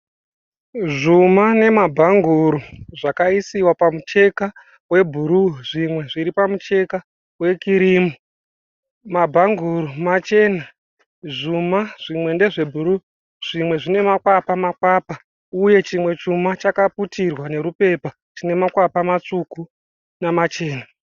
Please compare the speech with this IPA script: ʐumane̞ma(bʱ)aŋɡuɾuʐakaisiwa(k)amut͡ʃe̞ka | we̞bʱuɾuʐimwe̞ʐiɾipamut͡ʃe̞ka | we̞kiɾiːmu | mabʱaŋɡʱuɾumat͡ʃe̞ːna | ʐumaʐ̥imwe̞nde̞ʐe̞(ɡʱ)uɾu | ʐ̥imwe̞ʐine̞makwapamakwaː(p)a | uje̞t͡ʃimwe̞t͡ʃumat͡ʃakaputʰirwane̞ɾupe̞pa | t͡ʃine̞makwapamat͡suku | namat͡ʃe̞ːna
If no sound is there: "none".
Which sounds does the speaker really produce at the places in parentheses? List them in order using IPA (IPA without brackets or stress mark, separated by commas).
bʱ, p, bʱ, p